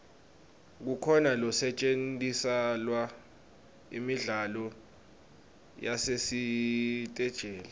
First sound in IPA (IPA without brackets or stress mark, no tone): k̬